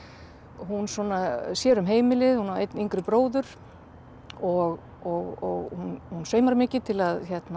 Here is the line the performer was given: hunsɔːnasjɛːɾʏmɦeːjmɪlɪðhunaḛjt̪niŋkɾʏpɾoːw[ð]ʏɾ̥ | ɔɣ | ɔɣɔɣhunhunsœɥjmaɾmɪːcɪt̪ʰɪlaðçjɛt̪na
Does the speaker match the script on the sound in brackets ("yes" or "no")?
yes